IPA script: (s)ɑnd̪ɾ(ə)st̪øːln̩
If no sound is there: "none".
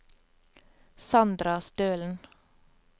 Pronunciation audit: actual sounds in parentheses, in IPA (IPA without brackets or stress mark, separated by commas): s, ɑ